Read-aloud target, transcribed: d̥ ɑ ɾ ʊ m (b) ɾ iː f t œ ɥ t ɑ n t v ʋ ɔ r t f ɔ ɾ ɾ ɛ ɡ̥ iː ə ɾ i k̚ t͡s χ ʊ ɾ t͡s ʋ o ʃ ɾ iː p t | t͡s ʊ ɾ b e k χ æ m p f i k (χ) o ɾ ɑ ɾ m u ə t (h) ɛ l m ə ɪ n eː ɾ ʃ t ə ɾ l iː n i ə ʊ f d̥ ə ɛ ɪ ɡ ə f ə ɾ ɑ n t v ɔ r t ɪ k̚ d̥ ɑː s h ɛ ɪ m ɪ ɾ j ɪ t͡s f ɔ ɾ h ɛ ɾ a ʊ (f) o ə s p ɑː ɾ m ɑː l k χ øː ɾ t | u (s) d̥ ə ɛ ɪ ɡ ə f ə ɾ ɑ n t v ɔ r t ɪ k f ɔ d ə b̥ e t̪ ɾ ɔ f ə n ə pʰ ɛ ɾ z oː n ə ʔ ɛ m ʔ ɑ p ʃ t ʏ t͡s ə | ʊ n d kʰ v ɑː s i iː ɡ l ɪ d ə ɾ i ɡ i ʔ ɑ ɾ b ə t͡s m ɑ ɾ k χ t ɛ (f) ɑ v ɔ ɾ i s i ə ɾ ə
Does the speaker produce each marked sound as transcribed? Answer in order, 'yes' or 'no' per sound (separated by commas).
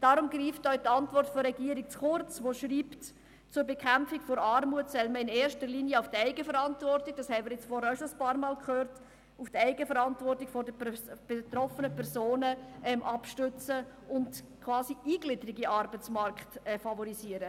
no, no, no, no, no, yes